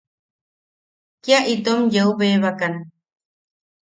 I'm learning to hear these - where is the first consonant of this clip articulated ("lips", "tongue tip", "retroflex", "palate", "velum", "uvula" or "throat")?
velum